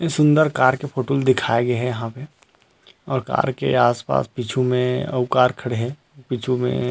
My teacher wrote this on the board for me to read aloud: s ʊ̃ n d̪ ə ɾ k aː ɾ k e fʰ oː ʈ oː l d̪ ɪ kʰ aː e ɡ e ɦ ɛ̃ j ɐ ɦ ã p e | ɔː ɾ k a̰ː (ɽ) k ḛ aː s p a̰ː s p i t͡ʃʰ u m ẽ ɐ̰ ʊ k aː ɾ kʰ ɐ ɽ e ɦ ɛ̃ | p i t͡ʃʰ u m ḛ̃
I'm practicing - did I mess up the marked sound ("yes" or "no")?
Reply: yes